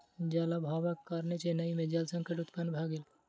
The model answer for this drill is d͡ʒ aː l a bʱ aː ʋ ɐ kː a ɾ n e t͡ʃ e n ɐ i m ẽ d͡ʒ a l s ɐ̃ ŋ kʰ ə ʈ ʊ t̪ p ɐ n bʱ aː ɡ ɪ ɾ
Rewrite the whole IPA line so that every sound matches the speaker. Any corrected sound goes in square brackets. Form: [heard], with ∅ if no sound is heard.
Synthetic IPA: d͡ʒ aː l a bʱ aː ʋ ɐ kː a ɾ n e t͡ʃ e n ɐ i m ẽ d͡ʒ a l s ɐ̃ ŋ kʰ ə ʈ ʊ t̪ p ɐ n bʱ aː ɡ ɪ [l]